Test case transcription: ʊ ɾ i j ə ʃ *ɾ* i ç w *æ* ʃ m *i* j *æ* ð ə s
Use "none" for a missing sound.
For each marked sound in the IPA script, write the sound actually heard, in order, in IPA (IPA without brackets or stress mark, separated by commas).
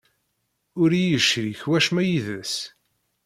ɾ, æ, æ, i